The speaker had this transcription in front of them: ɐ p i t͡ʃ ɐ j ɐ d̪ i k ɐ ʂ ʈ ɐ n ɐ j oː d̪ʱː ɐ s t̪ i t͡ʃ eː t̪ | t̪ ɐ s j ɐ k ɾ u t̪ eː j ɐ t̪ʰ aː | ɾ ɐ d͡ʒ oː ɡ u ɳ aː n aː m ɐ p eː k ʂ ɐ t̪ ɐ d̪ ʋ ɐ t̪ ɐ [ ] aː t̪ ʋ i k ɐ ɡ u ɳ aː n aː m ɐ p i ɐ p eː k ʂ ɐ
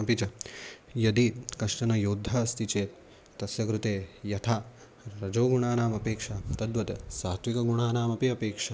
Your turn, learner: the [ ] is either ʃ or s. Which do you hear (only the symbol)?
s